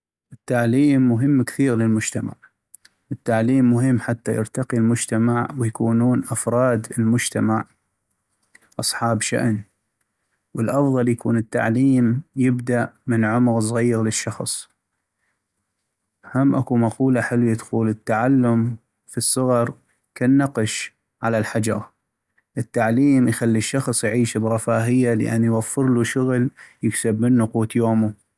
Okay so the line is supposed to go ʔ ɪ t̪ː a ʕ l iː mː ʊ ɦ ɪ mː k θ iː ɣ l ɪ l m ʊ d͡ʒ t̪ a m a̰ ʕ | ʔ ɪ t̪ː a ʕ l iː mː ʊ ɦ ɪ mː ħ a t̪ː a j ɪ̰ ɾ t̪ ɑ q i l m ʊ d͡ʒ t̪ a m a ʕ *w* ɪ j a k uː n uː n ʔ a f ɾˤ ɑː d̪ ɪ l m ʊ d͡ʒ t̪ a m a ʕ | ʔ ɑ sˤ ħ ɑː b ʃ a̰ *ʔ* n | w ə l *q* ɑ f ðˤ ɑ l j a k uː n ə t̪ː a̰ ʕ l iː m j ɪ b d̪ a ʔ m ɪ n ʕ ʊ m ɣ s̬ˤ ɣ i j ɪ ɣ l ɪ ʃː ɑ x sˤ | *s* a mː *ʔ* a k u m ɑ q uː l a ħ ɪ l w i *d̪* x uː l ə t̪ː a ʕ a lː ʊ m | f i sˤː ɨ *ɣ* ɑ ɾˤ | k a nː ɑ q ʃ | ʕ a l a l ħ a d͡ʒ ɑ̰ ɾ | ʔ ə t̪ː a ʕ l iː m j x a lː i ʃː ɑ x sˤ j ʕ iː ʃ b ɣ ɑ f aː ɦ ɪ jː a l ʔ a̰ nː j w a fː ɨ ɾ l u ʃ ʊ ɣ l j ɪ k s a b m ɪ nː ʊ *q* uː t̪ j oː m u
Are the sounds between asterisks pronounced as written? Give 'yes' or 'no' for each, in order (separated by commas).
yes, yes, no, no, yes, yes, yes, yes